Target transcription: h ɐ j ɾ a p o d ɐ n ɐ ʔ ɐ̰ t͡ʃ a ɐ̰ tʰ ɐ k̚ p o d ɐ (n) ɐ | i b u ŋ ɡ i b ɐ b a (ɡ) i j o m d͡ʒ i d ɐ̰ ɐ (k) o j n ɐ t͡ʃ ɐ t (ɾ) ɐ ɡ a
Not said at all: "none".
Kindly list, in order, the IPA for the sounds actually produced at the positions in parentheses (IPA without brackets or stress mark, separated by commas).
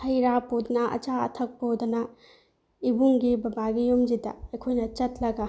n, ɡ, kʰ, l